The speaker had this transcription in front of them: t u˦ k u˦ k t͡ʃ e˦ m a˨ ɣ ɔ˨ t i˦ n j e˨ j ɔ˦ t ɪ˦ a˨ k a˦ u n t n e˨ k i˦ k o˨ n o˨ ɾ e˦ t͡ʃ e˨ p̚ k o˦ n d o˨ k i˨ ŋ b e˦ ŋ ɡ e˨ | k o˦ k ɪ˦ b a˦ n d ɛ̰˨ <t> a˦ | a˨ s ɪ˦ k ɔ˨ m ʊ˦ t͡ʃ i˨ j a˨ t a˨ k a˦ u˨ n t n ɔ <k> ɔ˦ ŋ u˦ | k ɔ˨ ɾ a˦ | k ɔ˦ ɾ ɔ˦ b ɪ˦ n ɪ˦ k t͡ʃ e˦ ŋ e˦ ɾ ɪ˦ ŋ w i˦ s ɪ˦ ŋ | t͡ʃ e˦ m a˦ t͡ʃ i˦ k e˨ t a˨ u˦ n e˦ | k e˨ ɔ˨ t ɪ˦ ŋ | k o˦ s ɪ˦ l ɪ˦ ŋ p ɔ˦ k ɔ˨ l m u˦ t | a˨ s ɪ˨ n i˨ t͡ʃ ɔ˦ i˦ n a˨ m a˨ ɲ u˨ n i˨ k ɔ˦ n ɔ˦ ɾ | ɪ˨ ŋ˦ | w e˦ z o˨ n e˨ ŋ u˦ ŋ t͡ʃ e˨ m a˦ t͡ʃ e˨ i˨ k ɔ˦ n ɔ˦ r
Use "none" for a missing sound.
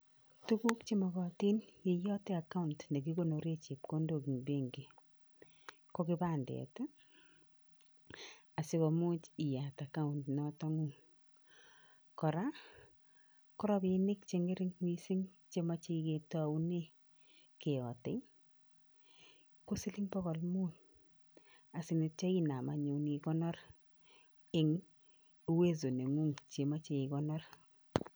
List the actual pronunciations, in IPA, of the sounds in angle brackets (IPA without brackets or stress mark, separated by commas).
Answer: t, t